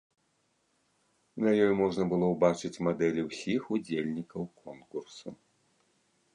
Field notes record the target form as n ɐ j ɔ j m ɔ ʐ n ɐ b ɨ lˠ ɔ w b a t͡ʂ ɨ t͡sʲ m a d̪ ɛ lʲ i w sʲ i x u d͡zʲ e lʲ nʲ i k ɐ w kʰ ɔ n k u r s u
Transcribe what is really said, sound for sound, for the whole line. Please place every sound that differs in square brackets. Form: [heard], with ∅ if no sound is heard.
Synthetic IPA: n ɐ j ɔ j m ɔ ʐ n ɐ b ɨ lˠ ɔ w b a t͡ʂ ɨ t͡sʲ m a d̪ ɛ lʲ i w sʲ i x u d͡zʲ e lʲ nʲ i k ɐ w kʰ ɔ n k u r s u